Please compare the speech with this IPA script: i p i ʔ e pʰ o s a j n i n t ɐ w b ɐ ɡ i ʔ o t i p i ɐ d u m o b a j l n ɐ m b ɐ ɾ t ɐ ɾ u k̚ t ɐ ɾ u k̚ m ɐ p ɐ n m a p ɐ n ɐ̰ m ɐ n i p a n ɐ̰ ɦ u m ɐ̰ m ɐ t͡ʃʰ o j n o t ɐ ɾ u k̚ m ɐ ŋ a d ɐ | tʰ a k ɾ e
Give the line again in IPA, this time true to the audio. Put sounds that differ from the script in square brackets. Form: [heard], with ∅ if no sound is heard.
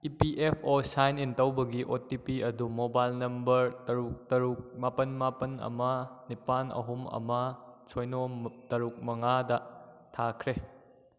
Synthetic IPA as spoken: i p i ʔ e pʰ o s a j n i n t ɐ w b ɐ ɡ i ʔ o t i p i ɐ d u m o b a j l n ɐ m b ɐ ɾ t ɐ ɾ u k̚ t ɐ ɾ u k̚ m [a] p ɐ n m a p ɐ n ɐ̰ m ɐ n i p a n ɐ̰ ɦ u m ɐ̰ m ɐ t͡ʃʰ o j n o t ɐ ɾ u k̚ m ɐ ŋ a d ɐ | tʰ a [kʰ] ɾ e